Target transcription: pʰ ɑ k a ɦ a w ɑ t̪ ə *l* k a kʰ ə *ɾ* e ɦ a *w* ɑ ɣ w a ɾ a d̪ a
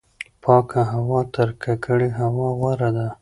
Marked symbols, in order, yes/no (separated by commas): no, no, yes